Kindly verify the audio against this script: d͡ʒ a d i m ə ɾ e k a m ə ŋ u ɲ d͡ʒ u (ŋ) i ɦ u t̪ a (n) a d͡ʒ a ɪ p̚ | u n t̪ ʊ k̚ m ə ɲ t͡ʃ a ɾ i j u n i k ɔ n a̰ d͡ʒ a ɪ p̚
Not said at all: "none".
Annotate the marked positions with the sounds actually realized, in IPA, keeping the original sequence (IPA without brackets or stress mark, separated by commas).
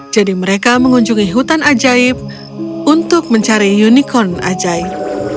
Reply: ŋ, n